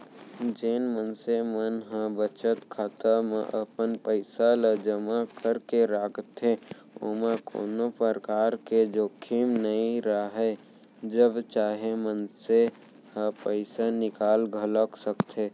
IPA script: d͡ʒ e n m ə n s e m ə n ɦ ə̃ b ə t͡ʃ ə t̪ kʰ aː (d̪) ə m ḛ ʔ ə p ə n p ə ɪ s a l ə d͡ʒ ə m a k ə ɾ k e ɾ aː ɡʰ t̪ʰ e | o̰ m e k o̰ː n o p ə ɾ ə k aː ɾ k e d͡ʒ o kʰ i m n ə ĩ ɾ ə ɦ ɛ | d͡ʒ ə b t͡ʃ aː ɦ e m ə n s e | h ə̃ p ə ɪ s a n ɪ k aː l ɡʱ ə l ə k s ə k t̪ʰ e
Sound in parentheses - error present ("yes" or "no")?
yes